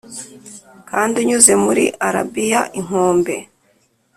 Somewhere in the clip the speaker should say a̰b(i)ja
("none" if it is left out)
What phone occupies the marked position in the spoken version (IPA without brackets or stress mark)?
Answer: i